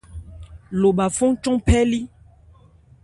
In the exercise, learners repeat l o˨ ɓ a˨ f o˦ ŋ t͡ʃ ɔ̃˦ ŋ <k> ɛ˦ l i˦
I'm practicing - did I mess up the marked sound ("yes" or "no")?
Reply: yes